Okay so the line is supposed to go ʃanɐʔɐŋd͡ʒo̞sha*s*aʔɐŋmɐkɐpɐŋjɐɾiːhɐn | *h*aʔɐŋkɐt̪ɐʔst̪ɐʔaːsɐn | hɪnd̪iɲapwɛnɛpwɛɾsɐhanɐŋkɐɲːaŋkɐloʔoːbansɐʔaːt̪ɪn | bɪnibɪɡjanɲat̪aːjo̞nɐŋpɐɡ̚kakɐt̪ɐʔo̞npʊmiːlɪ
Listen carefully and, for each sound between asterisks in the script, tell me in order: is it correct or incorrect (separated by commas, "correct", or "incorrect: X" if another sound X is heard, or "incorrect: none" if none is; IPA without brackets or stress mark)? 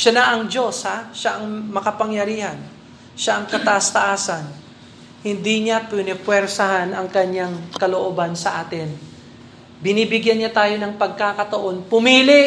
incorrect: ʃ, incorrect: ʃ